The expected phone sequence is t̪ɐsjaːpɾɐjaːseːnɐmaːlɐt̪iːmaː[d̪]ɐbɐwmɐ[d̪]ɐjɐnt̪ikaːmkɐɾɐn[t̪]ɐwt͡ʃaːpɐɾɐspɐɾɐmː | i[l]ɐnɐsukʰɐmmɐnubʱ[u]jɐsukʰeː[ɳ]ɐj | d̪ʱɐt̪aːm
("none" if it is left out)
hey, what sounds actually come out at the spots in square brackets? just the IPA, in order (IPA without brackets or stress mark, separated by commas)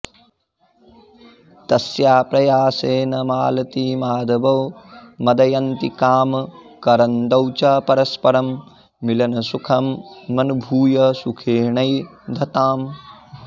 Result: d̪, d̪, d̪, l, uː, ɳ